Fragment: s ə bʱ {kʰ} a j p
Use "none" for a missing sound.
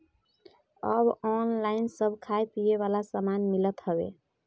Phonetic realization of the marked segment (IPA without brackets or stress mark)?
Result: kʰ